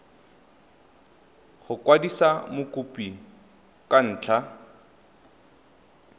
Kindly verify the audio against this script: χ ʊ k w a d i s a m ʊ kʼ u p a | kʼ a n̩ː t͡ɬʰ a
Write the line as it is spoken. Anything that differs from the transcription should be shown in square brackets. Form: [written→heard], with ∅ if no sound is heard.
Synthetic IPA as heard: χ ʊ k w a d i s a m ʊ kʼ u p [a→i] | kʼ a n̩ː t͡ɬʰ a